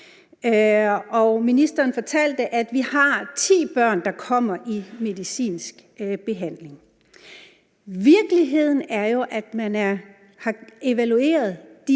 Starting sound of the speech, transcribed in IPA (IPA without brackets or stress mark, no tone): ɒ